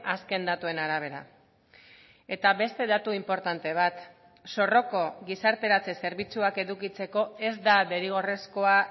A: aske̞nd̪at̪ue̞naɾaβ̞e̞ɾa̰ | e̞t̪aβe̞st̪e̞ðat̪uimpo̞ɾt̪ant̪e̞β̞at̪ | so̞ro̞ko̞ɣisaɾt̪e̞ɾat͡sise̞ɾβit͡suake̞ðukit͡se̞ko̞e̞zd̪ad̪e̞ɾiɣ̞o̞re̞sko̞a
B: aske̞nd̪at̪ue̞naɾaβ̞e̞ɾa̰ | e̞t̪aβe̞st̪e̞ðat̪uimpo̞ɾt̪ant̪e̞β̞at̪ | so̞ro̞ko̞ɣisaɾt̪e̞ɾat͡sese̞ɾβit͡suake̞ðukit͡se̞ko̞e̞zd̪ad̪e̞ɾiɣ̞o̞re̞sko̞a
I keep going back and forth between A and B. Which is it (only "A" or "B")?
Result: B